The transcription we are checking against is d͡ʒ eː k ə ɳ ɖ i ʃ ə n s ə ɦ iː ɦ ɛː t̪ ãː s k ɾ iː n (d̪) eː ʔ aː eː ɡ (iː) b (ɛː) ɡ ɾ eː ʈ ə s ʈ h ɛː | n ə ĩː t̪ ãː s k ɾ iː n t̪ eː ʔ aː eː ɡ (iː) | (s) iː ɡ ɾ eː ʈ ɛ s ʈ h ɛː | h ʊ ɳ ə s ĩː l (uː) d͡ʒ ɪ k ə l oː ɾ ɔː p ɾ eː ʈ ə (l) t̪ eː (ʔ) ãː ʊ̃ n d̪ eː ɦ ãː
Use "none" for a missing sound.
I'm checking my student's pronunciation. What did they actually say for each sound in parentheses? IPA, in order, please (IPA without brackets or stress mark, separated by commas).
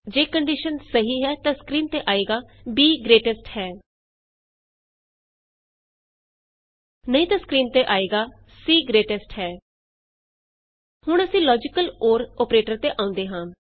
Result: t̪, aː, iː, aː, s, ɔː, ɾ, ʔ